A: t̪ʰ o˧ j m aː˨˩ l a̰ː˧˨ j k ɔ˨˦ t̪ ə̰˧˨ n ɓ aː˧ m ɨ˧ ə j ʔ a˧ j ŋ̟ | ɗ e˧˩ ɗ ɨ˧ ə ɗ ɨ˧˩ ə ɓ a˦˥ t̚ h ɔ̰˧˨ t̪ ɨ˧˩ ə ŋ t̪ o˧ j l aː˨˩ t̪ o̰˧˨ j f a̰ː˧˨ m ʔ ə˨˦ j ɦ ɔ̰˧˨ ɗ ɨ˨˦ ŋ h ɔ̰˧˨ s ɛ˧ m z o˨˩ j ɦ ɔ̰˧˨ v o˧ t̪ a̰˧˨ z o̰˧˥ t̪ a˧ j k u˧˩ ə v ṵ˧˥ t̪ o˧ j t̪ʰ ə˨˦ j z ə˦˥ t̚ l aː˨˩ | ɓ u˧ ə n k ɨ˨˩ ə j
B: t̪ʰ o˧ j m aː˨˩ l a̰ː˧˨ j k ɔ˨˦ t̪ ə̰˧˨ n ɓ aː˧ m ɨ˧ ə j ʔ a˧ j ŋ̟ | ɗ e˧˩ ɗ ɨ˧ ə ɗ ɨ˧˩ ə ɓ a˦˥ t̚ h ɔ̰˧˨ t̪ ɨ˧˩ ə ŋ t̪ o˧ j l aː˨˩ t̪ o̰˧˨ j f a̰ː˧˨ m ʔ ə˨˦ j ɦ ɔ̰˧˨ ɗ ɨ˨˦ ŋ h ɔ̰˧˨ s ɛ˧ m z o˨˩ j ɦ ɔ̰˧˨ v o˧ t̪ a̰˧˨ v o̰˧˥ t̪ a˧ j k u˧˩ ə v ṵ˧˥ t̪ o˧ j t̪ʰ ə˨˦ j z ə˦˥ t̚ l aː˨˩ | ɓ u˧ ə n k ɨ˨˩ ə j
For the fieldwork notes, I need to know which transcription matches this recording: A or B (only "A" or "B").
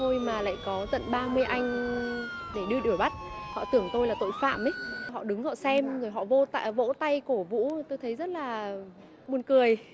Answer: B